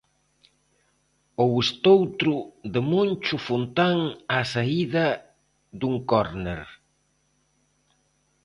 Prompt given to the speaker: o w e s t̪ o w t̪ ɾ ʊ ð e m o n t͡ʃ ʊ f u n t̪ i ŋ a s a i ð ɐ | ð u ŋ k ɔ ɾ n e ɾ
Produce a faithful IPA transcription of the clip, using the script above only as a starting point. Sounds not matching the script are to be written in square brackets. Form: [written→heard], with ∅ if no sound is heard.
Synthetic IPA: o w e s t̪ o w t̪ ɾ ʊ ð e m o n t͡ʃ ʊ f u n t̪ [i→a] ŋ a s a i ð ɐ | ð u ŋ k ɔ ɾ n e ɾ

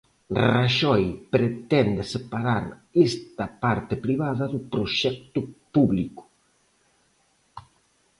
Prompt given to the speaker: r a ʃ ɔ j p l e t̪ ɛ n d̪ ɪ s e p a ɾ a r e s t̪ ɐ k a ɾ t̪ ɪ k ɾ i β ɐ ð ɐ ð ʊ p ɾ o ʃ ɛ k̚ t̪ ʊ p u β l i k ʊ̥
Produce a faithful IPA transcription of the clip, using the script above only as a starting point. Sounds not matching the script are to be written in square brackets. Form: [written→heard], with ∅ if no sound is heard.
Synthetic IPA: r a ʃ ɔ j p [l→ɾ] e t̪ ɛ n d̪ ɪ s e p a ɾ a [r→ɾ] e s t̪ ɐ [k→p] a ɾ t̪ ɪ [k→p] ɾ i β [ɐ→a] ð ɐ ð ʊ p ɾ o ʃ ɛ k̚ t̪ ʊ p u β l i k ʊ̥

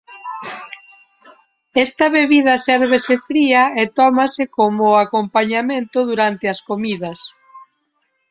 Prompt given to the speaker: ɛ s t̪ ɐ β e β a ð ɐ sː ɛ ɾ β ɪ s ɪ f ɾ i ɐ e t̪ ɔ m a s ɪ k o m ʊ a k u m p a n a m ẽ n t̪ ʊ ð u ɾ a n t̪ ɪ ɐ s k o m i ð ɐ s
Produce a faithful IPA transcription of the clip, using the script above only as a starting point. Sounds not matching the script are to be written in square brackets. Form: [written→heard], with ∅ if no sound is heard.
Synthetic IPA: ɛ s t̪ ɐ β e β [a→i] ð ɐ [sː→s] ɛ ɾ β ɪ s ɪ f ɾ i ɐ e t̪ ɔ m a s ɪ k o m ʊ a k [u→o] m p a [n→ɲ] a m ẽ n t̪ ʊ ð u ɾ a n t̪ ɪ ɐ s k o m i ð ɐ s

